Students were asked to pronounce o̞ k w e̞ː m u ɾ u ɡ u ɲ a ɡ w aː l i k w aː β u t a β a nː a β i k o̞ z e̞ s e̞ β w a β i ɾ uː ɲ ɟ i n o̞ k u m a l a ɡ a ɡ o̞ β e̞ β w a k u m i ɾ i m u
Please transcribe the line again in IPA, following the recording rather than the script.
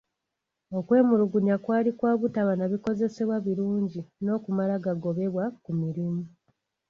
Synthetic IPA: o̞ k w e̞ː m u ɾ u ɡ u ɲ a k w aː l i k w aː β u t a β a n a β i k o̞ z e̞ s e̞ β w a β i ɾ uː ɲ ɟ i n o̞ k u m a l a ɡ a ɡ o̞ β e̞ β w a k u m i ɾ i m u